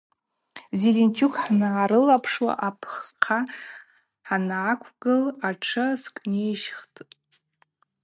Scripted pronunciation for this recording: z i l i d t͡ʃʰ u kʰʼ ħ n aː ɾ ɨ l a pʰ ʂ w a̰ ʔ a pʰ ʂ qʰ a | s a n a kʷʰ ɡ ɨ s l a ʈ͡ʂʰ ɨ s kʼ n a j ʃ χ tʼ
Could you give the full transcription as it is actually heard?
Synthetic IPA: z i l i n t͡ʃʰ u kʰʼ ħ n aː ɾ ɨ l a pʰ ʂ w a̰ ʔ a pʰ χ qʰ a | ħ a n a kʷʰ ɡ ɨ l a ʈ͡ʂʰ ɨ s kʼ n e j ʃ χ tʼ

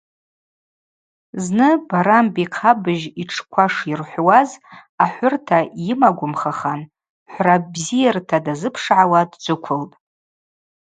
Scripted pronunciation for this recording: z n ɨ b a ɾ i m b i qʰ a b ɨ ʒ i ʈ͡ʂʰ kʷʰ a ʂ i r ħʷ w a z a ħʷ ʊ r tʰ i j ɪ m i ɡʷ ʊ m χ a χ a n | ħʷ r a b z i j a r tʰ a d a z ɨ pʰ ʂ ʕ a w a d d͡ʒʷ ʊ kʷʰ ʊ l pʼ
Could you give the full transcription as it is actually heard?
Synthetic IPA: z n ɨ b a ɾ a m b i qʰ a b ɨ ʒ i ʈ͡ʂʰ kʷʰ a ʂ i r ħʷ w a z a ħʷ ʊ r tʰ a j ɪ m a ɡʷ ʊ m χ a χ a n | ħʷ r a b z i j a r tʰ a d a z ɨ pʰ ʂ ʕ a w a d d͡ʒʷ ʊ kʷʰ ʊ l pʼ

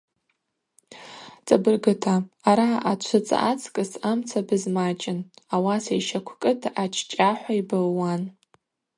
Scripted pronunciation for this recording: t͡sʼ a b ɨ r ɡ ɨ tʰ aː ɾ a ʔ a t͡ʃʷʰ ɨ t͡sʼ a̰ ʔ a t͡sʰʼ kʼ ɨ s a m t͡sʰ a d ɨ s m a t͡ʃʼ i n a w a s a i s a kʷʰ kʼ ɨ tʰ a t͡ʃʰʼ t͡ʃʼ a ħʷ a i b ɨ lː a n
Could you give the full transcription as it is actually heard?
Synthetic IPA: t͡sʼ a b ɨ r ɡ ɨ tʰ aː ɾ a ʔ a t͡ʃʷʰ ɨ t͡sʼ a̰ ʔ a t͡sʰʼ kʼ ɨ s a m t͡sʰ a b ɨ z m a t͡ʃʼ ɪ n a w a s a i ʃ a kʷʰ kʼ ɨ tʰ a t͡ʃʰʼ t͡ʃʼ a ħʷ a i b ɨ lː a n

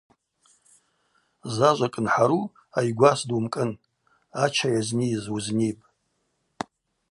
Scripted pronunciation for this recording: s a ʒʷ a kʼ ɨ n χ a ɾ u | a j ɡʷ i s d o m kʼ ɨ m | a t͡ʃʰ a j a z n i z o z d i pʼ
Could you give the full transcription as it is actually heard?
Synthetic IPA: z a ʒʷ a kʼ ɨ n ħ a ɾ u | a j ɡʷ a s d u m kʼ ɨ n | a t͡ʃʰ a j a z n i z u z n i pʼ

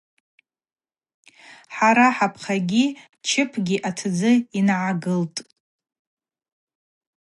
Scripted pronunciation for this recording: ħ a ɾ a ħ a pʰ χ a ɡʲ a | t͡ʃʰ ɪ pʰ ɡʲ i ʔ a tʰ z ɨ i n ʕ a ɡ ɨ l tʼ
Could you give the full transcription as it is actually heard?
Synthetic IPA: ħ a ɾ a ħ a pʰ χ a ɡʲ i | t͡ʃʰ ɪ pʰ ɡʲ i ʔ a tʰ d͡z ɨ i n ʕ a ɡ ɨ l tʼ

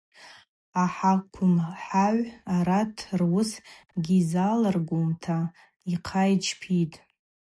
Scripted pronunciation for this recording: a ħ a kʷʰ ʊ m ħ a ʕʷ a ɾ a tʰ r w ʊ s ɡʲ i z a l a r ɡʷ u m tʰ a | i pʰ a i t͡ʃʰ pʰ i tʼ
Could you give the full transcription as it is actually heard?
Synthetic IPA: a ħ a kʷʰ ʊ m ħ a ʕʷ a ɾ a tʰ r w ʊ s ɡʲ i z a l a r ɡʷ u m tʰ a | i qʰ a j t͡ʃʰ pʰ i tʼ

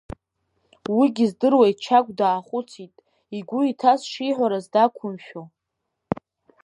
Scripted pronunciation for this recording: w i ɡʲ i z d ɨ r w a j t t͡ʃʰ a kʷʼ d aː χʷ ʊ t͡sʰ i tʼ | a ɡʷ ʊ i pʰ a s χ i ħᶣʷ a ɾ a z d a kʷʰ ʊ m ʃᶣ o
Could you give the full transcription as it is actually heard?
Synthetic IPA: w i ɡʲ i z d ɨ r w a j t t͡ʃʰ a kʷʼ d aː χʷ ʊ t͡sʰ i tʼ | i ɡʷ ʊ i tʰ a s ʂ i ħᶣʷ a ɾ a z d a kʷʰ ʊ m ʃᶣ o

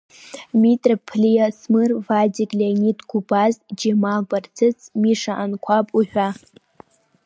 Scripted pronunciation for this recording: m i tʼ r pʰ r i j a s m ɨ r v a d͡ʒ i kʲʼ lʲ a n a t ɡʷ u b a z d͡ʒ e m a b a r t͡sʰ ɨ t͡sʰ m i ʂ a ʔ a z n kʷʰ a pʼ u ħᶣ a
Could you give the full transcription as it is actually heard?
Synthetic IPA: m i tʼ r pʰ l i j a s m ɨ r v a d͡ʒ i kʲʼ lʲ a n i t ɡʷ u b a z d͡ʒ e m a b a r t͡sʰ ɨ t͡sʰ m i ʂ a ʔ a n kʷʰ a pʼ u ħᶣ a

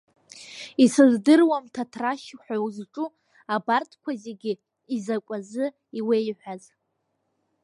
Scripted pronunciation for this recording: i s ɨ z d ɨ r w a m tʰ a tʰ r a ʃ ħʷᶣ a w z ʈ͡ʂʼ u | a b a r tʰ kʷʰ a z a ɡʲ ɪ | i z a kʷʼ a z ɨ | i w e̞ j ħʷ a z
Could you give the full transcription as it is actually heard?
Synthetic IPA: i s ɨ z d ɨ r w a m tʰ a tʰ r a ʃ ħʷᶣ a w z ʈ͡ʂʼ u | a b a r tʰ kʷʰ a z e ɡʲ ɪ | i z a kʷʼ a z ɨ | i w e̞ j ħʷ a z

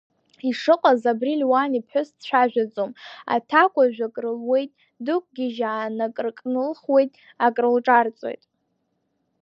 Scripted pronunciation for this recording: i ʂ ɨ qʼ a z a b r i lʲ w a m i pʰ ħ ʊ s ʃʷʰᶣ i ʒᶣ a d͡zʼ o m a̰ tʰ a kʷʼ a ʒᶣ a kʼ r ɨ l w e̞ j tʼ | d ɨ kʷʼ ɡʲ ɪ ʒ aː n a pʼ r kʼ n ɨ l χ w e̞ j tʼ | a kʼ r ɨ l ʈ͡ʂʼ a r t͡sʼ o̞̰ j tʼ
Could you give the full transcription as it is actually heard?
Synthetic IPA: i ʂ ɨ qʼ a z a b r i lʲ w a n i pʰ ħ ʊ s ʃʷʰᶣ a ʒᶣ a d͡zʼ o m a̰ tʰ a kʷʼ a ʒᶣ a kʼ r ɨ l w e̞ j tʼ | d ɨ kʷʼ ɡʲ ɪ ʒ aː n a kʼ r kʼ n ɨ l χ w e̞ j tʼ | a kʼ r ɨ l ʈ͡ʂʼ a r t͡sʼ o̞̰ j tʼ

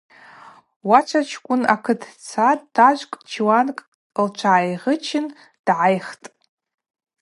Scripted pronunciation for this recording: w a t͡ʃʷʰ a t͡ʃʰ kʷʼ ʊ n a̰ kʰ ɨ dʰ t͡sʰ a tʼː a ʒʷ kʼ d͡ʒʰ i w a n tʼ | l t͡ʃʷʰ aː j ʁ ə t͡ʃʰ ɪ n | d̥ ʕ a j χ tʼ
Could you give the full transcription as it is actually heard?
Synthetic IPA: w a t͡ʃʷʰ a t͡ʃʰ kʷʼ ʊ n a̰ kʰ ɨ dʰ t͡sʰ a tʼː a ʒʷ kʼ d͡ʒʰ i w a n kʼ | l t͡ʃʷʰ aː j ʁ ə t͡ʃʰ ɪ n | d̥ ʕ a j χ tʼ

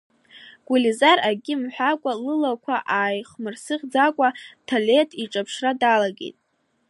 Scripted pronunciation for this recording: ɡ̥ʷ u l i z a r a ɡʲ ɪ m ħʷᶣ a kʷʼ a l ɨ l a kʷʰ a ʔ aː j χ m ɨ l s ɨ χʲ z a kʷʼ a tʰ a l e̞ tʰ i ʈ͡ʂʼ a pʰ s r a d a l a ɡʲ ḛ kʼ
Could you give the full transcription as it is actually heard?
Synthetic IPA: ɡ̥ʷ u l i z a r a ɡʲ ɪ m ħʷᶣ a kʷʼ a l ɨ l a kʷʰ a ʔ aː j χ m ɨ r s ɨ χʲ d͡z a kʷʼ a tʰ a l e̞ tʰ i ʈ͡ʂʼ a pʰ ʂ r a d a l a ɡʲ ḛ tʼ

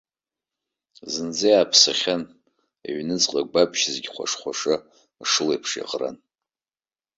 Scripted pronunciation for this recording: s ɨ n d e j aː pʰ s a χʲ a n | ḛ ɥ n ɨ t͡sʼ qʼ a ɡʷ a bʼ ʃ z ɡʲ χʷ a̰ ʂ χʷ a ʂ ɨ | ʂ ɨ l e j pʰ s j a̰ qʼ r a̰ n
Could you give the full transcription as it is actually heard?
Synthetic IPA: z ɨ n d͡z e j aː pʰ s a χʲ a n | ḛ ɥ n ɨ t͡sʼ qʼ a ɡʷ a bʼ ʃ z ɡʲ χʷ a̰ ʂ χʷ a ʂ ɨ | ʂ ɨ l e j pʰ ʂ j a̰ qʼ r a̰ n

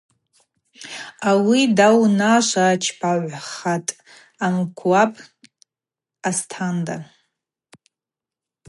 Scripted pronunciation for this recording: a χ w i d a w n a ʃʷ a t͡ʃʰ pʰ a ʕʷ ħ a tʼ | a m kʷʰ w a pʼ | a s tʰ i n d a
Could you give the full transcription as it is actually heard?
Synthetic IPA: a w i d a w n a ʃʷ a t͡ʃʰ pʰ a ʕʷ χ a tʼ | a m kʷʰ w a pʼ | a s tʰ a n d a

